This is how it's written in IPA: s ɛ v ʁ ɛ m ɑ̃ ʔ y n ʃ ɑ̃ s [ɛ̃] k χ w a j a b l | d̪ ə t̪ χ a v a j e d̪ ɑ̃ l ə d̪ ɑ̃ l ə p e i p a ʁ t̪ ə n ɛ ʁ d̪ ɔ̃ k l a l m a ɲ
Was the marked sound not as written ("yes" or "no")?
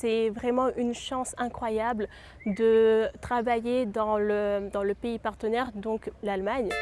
no